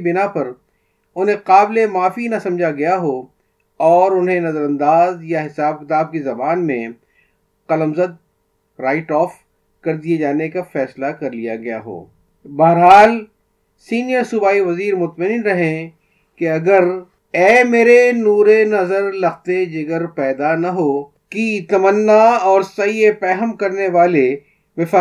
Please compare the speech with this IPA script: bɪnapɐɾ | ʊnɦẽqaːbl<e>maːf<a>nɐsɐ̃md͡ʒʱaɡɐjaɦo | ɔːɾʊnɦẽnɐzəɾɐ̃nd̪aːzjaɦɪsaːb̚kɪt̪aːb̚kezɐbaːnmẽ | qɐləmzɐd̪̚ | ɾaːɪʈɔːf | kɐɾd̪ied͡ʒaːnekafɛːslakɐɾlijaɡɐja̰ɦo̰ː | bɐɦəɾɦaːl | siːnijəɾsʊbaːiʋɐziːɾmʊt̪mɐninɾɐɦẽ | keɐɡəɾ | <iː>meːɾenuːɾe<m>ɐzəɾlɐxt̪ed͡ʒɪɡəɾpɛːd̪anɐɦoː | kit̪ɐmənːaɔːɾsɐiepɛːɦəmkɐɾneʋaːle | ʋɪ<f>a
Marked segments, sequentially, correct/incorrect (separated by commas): correct, incorrect, incorrect, incorrect, correct